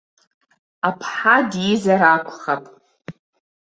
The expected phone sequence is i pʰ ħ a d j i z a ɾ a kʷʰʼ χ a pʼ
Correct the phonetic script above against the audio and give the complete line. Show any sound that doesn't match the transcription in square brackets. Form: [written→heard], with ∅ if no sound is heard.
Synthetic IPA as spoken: [i→a] pʰ ħ a d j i z a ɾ a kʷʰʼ χ a pʼ